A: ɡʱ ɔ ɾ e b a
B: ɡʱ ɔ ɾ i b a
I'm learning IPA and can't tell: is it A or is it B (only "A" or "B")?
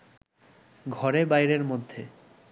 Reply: A